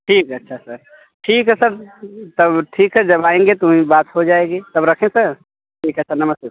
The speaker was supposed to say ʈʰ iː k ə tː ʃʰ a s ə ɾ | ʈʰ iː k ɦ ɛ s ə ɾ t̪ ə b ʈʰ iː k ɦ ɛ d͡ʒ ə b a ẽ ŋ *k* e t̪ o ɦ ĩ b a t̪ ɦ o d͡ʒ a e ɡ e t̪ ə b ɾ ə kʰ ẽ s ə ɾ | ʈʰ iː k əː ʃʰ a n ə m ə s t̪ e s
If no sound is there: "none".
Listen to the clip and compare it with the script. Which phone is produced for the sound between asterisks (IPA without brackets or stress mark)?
ɡ